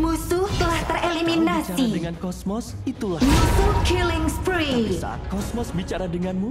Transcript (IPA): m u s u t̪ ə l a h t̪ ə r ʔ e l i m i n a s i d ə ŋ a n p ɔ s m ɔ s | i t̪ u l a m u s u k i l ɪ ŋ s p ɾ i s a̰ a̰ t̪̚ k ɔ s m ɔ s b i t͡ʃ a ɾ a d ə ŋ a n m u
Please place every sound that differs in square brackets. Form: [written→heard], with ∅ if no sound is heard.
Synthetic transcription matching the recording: m u s u t̪ ə l a h t̪ ə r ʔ e l i m i n a s i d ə ŋ a n [p→k] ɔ s m ɔ s | i t̪ u l a m u s u k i l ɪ ŋ s p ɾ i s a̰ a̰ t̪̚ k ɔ s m ɔ s b i t͡ʃ a ɾ a d ə ŋ a n m u